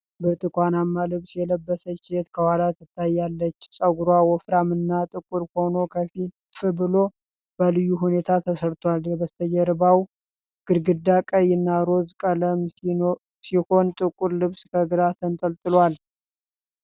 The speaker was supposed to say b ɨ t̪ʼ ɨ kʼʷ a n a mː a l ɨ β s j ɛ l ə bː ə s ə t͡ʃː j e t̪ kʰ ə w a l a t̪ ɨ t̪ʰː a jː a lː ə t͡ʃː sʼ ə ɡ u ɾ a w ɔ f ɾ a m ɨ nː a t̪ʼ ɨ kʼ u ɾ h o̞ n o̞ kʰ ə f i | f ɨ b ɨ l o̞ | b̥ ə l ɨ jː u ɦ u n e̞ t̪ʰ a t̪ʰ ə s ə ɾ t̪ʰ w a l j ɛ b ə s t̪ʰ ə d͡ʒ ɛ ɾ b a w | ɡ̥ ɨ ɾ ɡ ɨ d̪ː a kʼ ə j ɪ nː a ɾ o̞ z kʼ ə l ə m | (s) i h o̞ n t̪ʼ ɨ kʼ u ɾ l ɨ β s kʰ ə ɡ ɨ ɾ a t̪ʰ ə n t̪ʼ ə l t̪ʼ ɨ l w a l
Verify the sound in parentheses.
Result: correct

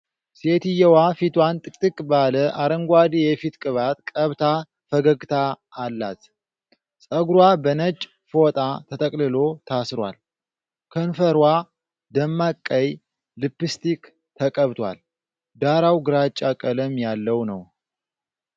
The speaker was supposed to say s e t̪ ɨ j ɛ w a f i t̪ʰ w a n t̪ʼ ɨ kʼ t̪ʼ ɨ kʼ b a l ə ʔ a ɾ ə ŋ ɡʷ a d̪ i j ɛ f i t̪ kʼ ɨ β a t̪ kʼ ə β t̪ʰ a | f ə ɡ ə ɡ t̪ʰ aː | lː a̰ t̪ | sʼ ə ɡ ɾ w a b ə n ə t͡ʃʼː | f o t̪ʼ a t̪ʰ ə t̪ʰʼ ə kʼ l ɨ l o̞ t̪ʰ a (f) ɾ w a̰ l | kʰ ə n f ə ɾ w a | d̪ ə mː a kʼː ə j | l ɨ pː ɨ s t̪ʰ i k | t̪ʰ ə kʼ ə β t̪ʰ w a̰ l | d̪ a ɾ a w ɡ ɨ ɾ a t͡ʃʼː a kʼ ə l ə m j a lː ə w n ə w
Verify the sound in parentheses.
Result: incorrect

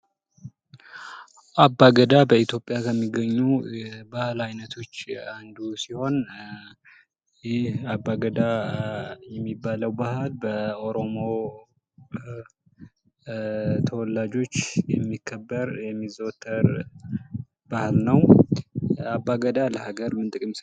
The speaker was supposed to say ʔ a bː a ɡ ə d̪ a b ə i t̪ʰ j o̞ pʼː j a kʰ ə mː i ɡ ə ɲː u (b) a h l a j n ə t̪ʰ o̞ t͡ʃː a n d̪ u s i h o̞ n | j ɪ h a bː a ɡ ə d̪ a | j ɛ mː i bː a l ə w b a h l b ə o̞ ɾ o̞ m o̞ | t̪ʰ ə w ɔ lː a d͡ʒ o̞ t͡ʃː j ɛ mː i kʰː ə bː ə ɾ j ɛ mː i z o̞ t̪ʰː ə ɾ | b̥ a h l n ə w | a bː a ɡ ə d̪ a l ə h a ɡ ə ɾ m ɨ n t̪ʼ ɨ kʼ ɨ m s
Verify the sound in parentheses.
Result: correct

